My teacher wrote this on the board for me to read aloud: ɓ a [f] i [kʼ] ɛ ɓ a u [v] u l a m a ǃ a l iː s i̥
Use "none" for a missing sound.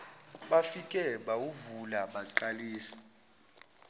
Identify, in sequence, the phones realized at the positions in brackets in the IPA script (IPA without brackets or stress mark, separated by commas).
f, kʼ, v